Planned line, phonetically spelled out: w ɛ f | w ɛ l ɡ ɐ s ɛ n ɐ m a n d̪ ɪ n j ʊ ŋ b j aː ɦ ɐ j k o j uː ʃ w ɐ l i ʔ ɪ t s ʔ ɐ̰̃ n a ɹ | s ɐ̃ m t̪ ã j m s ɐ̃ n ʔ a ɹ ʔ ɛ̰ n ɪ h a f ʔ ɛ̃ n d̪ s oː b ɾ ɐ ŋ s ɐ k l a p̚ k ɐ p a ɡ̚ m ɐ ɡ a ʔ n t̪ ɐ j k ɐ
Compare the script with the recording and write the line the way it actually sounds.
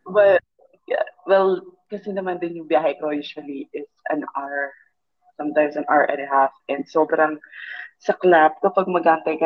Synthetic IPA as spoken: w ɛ | w ɛ l k ɐ s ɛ n ɐ m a n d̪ ɪ n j ʊ ŋ b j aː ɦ ɐ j k o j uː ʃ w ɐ l i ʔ ɪ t s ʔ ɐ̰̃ n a ɹ | s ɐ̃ m t̪ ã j m s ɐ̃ n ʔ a ɹ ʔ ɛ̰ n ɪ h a f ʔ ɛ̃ n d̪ s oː b ɾ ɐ ŋ s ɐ k l a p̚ k ɐ p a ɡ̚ m ɐ ɡ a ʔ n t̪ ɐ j k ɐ